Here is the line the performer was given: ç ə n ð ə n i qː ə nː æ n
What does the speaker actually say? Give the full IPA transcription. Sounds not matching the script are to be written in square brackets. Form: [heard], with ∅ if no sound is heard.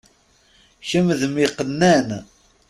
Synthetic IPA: ç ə [m] ð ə [m] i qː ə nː æ n